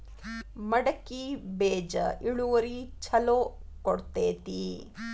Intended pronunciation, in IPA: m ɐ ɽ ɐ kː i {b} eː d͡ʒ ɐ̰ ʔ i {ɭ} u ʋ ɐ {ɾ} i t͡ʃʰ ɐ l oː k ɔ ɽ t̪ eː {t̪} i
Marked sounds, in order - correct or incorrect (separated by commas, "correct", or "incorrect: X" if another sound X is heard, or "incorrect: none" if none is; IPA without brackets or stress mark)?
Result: correct, correct, correct, correct